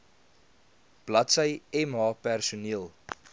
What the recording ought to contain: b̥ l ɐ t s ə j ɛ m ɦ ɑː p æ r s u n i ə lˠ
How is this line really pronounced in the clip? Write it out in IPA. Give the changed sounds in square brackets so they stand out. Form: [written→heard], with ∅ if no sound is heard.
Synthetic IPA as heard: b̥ l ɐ t s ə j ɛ m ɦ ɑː p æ r s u n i ə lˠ